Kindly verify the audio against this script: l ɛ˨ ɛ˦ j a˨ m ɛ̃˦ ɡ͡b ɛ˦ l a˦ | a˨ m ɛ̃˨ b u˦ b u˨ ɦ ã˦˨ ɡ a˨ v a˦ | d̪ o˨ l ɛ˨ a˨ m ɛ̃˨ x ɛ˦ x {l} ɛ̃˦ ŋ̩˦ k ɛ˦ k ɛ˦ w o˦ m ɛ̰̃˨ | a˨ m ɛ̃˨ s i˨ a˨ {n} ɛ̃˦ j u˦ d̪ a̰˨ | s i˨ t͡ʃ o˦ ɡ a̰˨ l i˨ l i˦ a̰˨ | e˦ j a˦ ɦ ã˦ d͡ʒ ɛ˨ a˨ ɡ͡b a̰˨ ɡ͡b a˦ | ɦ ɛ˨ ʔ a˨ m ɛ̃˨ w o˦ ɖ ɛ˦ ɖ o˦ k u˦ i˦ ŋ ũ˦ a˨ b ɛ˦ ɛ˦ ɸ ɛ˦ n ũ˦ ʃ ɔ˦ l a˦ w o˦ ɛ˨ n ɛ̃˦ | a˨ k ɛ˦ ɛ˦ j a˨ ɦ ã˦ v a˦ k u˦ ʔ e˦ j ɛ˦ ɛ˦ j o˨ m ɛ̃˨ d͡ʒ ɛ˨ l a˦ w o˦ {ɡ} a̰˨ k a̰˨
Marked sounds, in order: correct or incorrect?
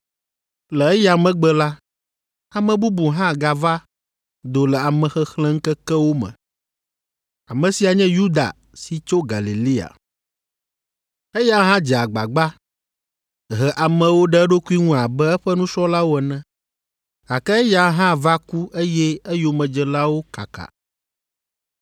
correct, incorrect: ɲ, incorrect: k

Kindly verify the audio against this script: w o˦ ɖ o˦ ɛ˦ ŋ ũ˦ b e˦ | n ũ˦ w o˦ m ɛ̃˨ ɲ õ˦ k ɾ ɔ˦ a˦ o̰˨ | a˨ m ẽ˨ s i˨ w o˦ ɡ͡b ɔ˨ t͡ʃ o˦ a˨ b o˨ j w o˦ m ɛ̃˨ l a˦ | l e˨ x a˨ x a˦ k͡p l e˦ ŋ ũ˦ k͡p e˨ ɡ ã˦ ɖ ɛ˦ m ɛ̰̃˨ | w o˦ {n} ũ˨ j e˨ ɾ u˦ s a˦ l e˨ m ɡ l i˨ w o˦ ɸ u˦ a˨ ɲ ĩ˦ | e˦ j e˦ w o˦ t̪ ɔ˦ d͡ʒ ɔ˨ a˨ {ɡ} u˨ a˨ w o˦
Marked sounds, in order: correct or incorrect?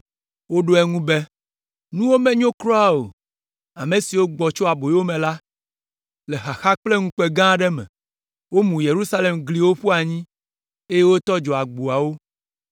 incorrect: m, incorrect: ɡ͡b

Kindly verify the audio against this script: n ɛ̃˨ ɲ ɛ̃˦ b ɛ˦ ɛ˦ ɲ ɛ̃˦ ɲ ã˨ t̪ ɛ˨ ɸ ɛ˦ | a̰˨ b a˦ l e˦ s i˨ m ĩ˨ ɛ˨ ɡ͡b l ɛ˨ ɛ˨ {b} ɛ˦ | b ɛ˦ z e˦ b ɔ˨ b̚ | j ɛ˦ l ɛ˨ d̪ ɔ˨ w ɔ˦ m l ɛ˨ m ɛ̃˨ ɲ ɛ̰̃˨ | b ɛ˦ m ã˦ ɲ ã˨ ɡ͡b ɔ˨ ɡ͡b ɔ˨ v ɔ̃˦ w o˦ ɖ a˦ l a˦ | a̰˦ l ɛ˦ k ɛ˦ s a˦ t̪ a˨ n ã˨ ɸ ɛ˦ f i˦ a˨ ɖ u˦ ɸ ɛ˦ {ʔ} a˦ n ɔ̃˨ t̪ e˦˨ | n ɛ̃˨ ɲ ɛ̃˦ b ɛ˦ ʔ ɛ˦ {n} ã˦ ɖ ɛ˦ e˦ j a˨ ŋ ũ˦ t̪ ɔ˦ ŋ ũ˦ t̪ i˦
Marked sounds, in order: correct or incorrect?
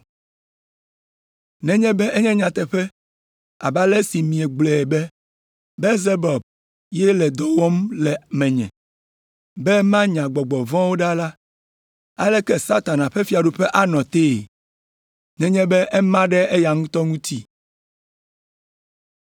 correct, correct, incorrect: m

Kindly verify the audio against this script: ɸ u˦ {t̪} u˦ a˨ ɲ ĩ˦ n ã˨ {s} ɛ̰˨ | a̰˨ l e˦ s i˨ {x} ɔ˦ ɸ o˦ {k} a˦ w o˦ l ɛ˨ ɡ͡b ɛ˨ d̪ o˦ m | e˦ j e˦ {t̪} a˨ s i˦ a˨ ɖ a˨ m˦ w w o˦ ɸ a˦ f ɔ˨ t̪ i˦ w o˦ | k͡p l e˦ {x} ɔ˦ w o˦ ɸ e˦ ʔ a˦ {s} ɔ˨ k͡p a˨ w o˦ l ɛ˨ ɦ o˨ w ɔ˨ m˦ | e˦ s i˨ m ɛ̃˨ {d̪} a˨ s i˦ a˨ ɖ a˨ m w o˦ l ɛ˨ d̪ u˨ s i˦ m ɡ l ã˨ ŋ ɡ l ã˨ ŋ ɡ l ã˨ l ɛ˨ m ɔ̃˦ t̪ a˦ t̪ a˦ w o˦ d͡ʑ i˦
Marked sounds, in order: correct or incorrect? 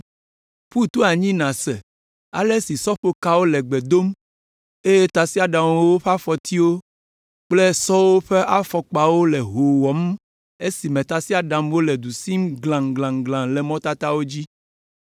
correct, correct, incorrect: s, correct, correct, incorrect: s, incorrect: f, incorrect: t̪

